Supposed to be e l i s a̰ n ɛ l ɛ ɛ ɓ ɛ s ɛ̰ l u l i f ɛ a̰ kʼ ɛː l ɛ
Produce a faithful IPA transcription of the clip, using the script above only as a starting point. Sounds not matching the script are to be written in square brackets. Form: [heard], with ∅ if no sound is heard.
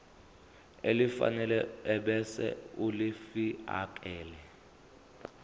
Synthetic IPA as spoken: e l i [f] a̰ n ɛ l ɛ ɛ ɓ ɛ s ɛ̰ [∅] u l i f [i] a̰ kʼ ɛː l ɛ

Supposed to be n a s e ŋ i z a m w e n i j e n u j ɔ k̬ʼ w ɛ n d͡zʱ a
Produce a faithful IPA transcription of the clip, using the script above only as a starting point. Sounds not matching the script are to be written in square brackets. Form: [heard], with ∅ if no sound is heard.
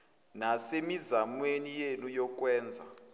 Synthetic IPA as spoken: n a s e [m] i z a m w e n i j e n u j ɔ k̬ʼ w [ɛː] n d͡zʱ a

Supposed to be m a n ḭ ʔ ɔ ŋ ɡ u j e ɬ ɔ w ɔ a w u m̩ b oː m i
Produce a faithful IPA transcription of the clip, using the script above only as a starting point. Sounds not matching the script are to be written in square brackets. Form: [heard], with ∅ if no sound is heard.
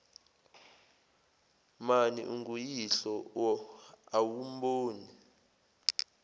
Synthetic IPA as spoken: m a n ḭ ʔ [u] ŋ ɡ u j [i] ɬ ɔ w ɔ a w u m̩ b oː [n] i

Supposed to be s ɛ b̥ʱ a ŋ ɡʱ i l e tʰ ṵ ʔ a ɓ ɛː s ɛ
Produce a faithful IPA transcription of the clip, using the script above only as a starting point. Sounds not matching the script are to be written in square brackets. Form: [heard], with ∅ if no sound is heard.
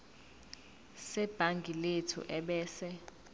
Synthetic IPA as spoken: s ɛ b̥ʱ a ŋ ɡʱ i l e tʰ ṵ ʔ [ɛ] ɓ ɛː s ɛ

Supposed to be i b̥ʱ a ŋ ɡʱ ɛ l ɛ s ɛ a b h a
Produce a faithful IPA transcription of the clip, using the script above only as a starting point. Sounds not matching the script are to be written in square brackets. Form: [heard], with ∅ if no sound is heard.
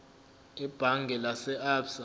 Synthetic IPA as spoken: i b̥ʱ a ŋ ɡʱ ɛ l [a] s ɛ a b [s] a

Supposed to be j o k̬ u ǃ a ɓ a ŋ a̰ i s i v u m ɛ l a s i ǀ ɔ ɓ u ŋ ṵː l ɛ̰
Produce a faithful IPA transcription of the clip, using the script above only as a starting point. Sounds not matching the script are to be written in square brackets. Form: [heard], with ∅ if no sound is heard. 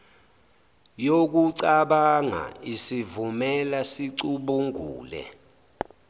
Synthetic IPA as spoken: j o k̬ u [ǀ] a ɓ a ŋ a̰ i s i v u m ɛ l a s i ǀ [u] ɓ u ŋ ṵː l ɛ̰

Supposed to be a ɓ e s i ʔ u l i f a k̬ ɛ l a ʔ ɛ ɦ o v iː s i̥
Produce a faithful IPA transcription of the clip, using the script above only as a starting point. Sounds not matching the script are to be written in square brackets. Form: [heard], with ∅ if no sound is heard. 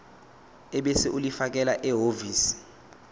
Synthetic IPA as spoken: [ɛ] ɓ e s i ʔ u l i f a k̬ ɛ l a ʔ ɛ ɦ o v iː s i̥

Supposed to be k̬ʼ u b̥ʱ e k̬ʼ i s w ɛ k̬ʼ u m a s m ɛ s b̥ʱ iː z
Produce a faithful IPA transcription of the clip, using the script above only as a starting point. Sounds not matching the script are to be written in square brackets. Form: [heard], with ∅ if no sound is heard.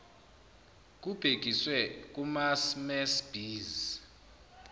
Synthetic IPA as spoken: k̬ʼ u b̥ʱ e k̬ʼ i s w ɛ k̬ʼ u m a s m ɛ s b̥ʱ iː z

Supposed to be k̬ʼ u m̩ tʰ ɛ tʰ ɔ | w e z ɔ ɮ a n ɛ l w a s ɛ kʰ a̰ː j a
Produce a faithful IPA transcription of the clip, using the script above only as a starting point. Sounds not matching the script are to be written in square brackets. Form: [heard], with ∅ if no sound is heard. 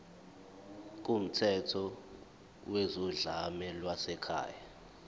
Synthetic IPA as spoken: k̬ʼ u m̩ tʰ ɛ tʰ ɔ | w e z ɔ ɮ a [m] ɛ l w a s ɛ kʰ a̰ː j a

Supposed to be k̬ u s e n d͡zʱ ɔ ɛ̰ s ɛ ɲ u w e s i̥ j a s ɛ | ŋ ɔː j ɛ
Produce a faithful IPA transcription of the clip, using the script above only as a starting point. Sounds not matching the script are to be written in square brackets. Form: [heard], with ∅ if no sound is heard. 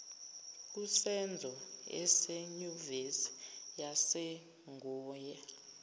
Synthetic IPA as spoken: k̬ u s [ɛ] n d͡zʱ ɔ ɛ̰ s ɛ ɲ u [v] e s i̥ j a s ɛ | ŋ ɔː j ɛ

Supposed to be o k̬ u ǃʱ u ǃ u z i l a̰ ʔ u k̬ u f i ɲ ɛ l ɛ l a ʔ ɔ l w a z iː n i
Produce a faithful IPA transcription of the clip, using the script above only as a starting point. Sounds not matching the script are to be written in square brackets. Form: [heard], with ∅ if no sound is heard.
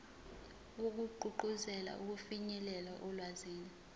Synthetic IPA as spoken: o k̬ u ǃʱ u ǃ u z [ɛ] l a̰ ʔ u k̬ u f i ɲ ɛ l ɛ l a ʔ ɔ l w a z iː n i

